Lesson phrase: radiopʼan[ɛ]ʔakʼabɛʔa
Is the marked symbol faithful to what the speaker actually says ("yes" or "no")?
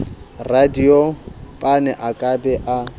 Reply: yes